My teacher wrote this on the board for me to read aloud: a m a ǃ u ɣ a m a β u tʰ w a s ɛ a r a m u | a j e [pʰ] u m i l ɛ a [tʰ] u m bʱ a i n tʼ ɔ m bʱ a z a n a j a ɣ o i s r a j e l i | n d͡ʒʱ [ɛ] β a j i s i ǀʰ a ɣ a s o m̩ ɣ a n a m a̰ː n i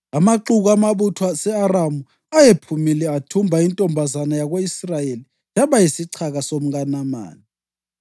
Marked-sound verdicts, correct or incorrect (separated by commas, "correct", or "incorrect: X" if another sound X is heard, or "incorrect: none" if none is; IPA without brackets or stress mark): correct, correct, incorrect: a